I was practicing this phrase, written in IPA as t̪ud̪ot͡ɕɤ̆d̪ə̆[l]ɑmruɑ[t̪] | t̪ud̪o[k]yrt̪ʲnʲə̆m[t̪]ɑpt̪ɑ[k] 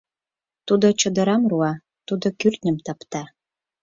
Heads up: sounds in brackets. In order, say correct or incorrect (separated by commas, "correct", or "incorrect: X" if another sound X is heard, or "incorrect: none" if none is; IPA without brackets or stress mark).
incorrect: ɾ, incorrect: none, correct, correct, incorrect: none